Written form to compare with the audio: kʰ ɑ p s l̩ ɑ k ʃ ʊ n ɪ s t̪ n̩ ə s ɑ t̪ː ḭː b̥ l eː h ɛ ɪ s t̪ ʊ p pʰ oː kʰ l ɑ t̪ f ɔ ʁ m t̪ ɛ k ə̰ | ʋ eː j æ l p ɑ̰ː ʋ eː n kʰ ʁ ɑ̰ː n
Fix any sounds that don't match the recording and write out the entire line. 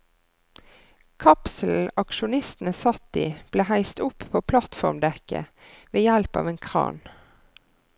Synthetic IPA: kʰ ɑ p s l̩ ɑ k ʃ ʊ n ɪ s t̪ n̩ ə s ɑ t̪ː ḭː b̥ l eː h æ ɪ s t̪ ʊ p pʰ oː pʰ l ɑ t̪ f ɔ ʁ m d̪ ɛ k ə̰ | ʋ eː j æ l p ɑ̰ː ʋ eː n kʰ ʁ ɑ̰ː n